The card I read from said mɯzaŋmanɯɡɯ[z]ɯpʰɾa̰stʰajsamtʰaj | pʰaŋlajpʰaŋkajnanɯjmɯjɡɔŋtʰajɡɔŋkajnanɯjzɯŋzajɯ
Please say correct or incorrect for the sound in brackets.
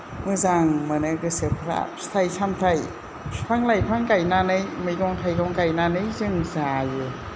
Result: incorrect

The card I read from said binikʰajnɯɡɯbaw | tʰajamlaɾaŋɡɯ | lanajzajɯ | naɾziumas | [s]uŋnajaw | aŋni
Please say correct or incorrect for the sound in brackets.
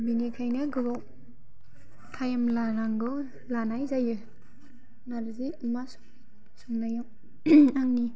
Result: correct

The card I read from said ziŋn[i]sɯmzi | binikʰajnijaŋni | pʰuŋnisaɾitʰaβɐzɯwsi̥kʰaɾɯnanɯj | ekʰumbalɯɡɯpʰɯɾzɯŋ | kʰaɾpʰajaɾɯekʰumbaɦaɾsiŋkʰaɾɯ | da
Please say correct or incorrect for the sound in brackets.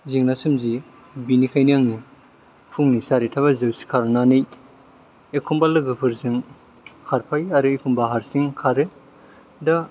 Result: incorrect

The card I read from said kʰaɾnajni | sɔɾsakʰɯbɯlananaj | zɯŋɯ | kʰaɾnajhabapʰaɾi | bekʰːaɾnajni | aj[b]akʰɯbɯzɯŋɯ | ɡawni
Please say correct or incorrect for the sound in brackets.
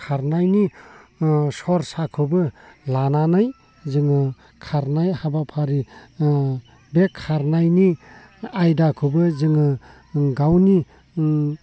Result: incorrect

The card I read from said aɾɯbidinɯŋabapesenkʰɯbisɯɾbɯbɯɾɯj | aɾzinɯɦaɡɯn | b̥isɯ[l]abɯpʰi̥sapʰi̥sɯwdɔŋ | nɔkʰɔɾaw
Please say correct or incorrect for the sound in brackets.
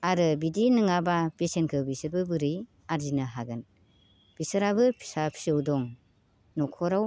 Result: incorrect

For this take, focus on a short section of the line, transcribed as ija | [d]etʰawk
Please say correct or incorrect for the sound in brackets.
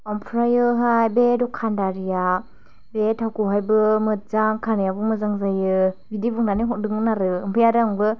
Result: incorrect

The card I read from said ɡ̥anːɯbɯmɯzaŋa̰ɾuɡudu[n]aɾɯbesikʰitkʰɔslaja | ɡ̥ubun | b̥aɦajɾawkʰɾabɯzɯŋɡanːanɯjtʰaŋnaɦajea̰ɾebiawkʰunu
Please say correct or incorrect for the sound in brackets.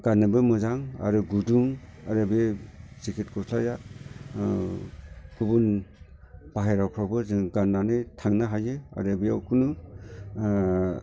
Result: incorrect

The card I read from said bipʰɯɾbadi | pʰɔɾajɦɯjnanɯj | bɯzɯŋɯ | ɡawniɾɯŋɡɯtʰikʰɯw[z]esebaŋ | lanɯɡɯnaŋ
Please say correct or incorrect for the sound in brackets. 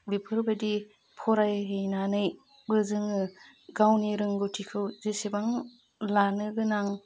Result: correct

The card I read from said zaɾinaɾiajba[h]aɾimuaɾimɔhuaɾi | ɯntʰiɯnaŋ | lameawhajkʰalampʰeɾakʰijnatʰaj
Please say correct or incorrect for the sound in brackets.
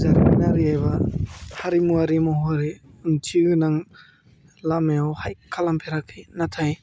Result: correct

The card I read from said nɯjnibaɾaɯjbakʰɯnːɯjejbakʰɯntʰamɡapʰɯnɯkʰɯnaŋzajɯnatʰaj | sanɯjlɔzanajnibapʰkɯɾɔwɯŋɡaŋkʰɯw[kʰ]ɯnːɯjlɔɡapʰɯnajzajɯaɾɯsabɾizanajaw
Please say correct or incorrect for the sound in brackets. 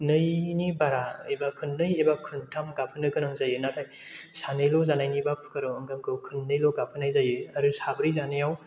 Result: correct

